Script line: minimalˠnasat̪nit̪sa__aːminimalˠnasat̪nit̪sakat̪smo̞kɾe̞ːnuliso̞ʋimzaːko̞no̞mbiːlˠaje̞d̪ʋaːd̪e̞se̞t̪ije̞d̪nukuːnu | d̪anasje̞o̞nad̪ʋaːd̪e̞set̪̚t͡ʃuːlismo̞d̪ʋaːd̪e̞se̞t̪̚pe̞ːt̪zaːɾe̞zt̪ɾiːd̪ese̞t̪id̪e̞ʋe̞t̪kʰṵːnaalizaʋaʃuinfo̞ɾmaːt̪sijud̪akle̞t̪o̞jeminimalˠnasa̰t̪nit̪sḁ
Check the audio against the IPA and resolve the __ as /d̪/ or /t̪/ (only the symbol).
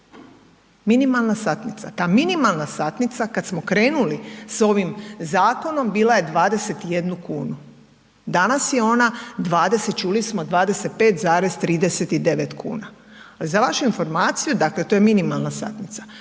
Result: t̪